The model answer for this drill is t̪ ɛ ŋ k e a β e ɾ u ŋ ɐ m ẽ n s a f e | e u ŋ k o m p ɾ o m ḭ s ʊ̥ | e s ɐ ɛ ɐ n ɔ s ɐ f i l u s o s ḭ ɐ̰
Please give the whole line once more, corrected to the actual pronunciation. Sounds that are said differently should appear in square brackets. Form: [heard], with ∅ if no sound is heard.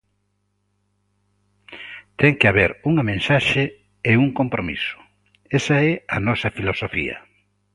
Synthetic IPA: t̪ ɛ ŋ k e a β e ɾ u ŋ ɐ m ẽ n s a [ʃ] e | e u ŋ k o m p ɾ o m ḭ s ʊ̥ | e s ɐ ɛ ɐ n ɔ s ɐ f i l [o] s o [f] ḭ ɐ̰